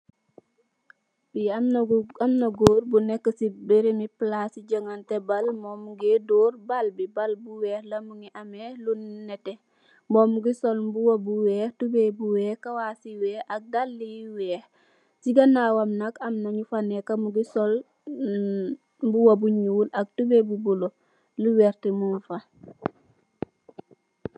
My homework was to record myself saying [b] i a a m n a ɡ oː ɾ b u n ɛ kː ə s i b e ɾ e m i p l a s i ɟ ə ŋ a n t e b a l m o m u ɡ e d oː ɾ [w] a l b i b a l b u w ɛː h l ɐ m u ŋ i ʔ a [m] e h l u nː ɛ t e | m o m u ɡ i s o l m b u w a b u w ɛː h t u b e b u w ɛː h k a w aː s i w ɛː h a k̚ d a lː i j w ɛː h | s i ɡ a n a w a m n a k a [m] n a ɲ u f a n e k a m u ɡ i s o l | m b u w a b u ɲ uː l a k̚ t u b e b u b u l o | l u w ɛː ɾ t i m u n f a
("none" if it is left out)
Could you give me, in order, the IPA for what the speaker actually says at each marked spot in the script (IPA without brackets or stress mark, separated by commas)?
b, b, m, m